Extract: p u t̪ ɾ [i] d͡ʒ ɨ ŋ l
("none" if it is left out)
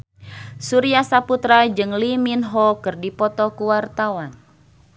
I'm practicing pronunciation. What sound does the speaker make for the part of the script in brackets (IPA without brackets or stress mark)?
a